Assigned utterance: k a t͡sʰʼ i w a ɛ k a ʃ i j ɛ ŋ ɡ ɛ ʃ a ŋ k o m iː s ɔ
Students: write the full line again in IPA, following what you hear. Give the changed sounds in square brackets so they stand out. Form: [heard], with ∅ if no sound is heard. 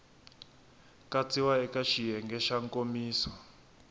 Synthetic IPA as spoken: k a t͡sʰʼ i w a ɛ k a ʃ i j ɛ ŋ ɡ ɛ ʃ a ŋ k o m iː s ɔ

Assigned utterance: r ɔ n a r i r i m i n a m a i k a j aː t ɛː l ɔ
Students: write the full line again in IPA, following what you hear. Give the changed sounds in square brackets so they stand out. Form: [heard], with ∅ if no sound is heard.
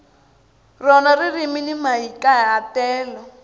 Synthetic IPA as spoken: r ɔ n a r i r i m i n [i] m a i k a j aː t ɛː l ɔ

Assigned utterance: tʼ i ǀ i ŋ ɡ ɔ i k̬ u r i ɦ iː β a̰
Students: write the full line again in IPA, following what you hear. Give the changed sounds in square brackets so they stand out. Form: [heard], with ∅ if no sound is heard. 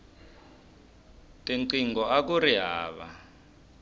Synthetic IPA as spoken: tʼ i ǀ i ŋ ɡ ɔ [a] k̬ u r i ɦ [aː] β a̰

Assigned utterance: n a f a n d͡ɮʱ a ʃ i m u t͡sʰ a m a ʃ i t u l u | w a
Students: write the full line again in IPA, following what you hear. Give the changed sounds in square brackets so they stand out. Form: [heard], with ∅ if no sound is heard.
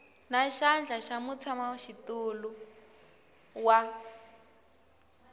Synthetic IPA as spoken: n a [ʃ] a n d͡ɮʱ a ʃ [a] m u t͡sʰ a m a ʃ i t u l u | w a

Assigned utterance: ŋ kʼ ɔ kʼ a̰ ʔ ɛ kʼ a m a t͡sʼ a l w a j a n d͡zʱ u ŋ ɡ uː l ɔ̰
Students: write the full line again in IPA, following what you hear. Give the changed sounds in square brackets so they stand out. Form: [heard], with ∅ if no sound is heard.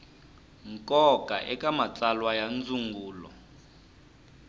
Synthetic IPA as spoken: ŋ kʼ ɔ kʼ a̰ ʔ ɛ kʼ a m a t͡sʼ a l w a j a n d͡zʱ u ŋ ɡ uː l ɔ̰

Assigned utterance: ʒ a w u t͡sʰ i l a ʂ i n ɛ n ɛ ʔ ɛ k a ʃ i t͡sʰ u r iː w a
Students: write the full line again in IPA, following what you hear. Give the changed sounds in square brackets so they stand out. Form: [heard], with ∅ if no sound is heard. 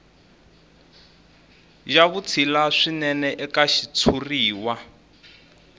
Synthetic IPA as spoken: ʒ a [β] u t͡sʰ i l a ʂ i n ɛ n ɛ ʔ ɛ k a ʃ i t͡sʰ u r iː w a

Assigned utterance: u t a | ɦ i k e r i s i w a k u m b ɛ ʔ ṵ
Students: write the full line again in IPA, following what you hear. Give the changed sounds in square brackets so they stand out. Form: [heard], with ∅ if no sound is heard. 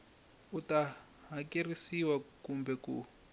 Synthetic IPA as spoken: u t a | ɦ [a] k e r i s i w a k u m b ɛ [k] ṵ

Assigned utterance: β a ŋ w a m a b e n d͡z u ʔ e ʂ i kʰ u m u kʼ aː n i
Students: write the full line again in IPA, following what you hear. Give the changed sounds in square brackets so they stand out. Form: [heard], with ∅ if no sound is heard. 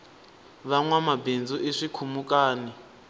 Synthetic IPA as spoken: β a ŋ w a m a b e n d͡z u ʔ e ʂ i kʰ u m u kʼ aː n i

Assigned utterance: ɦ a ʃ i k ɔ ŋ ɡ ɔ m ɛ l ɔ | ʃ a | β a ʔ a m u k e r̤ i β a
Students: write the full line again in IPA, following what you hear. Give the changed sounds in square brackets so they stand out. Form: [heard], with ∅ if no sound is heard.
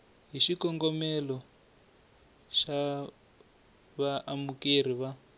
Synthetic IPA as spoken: ɦ [i] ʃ i k ɔ ŋ ɡ ɔ m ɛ l ɔ | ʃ a | β a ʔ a m u k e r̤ i β a

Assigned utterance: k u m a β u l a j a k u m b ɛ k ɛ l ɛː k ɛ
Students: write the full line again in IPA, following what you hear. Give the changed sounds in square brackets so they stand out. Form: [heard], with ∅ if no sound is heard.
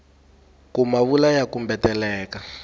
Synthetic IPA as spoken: k u m a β u l a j a k u m b ɛ [t] ɛ l ɛː k [a]

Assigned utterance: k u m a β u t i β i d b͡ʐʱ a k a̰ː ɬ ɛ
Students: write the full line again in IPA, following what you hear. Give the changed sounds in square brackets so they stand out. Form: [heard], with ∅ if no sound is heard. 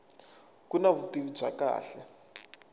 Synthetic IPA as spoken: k u [n] a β u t i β i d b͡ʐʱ a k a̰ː ɬ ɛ

